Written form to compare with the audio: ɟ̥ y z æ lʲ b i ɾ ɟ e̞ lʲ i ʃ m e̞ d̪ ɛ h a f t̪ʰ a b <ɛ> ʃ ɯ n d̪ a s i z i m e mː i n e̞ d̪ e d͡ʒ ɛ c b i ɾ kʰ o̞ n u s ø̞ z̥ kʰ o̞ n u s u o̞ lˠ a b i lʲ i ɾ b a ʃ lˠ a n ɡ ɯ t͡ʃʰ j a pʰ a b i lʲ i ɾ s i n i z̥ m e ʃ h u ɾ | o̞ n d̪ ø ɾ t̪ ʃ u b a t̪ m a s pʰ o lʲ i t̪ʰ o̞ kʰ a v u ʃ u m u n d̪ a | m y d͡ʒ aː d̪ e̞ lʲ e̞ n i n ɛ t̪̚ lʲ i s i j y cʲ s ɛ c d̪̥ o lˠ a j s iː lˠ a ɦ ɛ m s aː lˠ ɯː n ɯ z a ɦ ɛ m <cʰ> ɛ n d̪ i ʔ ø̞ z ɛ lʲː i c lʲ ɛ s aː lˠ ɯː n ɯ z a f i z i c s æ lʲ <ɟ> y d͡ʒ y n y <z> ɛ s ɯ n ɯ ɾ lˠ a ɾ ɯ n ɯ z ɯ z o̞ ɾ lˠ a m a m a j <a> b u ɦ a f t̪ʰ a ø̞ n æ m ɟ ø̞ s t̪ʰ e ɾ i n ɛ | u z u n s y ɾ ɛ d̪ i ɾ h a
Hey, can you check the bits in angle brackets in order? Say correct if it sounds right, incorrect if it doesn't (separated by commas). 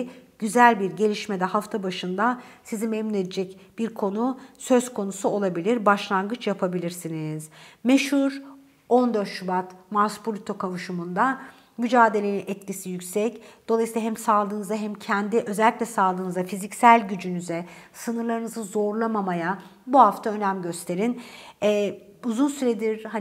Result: incorrect, correct, correct, correct, correct